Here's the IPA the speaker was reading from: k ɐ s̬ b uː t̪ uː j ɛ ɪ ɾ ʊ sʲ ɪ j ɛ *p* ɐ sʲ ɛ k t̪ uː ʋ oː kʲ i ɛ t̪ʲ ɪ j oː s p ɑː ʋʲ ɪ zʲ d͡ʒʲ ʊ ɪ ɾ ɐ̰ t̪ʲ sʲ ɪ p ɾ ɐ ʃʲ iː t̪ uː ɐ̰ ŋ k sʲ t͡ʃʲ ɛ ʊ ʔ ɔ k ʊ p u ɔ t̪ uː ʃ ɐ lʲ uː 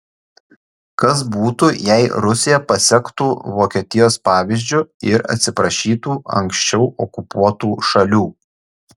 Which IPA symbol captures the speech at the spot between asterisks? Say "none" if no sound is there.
p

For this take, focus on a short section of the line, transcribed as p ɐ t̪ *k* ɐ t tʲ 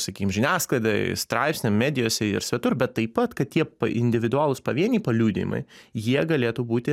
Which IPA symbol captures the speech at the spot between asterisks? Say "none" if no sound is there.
k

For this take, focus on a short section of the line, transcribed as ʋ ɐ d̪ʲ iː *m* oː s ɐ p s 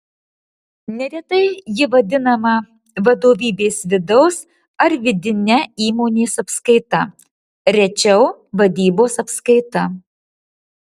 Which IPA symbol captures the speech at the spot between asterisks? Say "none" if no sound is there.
b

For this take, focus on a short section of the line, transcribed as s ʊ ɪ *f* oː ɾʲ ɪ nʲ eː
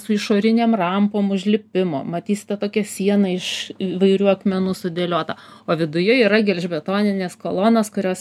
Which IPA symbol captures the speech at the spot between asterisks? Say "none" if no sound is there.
ʃ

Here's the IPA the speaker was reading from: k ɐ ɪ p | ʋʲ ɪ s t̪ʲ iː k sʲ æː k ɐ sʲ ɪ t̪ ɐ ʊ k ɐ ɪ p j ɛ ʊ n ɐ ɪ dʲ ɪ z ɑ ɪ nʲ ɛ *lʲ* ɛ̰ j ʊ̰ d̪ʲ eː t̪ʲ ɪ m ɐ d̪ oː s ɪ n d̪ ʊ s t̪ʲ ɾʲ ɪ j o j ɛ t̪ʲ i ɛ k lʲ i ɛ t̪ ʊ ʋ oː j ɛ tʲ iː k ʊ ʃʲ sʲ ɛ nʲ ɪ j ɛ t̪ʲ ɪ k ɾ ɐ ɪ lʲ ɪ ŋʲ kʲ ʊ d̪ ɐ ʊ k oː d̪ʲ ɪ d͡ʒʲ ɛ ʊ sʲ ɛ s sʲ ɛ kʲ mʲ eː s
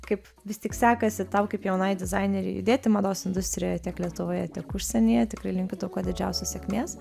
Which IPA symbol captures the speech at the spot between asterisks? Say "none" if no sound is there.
ɾʲ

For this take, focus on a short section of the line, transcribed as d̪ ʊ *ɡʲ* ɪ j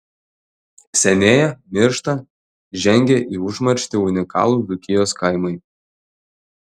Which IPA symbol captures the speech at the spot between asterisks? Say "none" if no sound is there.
kʲ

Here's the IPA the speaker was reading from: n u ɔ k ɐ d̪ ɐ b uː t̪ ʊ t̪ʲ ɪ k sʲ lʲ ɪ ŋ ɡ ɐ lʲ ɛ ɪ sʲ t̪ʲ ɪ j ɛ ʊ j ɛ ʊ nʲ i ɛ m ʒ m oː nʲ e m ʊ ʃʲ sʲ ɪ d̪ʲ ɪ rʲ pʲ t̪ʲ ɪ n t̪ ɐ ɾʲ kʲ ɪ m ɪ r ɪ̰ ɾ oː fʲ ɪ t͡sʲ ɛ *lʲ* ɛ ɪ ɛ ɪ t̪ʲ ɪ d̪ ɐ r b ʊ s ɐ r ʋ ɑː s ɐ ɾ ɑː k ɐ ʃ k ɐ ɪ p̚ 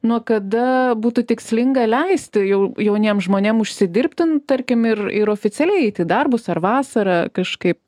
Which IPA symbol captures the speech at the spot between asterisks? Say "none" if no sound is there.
lʲ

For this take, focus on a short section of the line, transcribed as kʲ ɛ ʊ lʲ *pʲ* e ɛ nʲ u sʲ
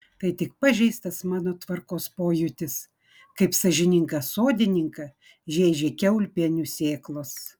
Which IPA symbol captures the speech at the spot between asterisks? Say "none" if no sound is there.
pʲ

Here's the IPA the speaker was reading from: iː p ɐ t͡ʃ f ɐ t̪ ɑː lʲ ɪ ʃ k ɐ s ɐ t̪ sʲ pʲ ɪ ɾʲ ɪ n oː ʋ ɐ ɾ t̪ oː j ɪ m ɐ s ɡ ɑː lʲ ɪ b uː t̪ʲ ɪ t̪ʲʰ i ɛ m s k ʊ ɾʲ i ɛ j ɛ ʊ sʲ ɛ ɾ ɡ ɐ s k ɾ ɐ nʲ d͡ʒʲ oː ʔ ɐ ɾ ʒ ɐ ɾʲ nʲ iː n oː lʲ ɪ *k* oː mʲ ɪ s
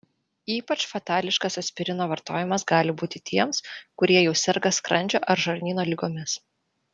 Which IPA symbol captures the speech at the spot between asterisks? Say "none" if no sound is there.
ɡ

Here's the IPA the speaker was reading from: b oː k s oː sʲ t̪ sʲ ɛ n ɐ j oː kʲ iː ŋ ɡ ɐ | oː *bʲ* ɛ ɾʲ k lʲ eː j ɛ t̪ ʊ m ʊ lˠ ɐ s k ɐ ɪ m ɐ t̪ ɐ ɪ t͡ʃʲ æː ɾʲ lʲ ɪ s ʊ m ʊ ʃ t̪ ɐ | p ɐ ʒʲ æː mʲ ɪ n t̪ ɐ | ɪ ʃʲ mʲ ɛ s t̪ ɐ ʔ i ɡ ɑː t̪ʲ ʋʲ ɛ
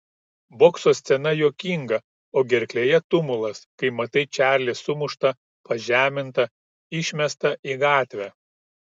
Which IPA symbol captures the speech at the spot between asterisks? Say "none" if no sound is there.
ɡʲ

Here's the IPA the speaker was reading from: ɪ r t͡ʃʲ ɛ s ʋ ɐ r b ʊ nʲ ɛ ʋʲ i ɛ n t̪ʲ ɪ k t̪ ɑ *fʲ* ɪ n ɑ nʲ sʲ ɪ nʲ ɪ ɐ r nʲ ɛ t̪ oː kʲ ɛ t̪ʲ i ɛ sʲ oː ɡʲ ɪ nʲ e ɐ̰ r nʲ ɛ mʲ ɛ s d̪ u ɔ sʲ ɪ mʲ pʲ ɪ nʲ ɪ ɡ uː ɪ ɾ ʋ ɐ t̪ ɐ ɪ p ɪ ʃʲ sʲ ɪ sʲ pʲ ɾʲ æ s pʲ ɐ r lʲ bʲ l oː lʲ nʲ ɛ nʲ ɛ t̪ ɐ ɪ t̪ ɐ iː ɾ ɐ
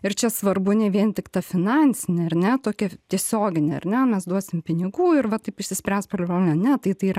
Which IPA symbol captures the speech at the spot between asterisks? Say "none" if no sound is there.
fʲ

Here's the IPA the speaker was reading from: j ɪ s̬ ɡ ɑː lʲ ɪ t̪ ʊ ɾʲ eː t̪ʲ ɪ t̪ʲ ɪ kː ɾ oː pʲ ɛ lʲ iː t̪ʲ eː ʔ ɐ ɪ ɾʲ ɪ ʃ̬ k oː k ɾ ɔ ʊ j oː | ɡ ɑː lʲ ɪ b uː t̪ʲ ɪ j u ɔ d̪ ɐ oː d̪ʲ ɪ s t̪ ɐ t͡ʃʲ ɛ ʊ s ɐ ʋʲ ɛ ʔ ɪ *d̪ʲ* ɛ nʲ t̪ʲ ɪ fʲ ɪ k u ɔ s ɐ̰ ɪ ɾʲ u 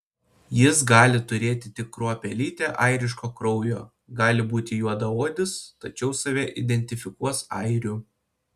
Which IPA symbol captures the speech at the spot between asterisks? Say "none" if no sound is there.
d̪ʲ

